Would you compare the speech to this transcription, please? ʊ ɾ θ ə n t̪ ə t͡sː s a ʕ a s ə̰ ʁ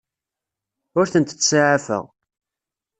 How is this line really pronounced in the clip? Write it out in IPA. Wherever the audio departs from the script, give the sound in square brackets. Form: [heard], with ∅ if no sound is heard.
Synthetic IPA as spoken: ʊ ɾ θ ə n t̪ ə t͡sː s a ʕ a [f] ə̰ ʁ